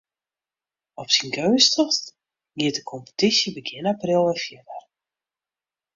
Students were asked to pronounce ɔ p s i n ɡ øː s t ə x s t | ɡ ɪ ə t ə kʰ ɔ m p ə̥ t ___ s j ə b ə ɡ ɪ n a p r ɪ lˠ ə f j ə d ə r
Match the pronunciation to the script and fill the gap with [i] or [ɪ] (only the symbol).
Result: i